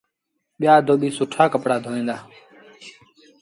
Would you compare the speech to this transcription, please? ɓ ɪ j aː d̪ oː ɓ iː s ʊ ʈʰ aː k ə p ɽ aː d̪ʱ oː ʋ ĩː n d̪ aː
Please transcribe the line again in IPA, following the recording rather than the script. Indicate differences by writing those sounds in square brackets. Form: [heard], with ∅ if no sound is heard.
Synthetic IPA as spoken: ɓ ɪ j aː d̪ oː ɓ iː s ʊ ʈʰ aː k ə p ɽ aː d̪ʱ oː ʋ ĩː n d̪ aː